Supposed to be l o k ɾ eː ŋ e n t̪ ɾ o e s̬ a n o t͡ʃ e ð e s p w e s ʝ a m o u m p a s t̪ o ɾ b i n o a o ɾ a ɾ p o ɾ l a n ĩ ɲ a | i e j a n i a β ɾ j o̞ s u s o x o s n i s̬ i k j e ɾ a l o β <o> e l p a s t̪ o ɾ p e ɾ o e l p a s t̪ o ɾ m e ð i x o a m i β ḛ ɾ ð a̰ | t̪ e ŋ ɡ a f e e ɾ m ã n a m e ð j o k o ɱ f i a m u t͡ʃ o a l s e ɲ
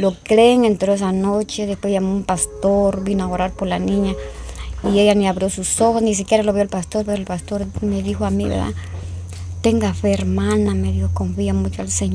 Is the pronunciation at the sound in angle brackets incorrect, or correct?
correct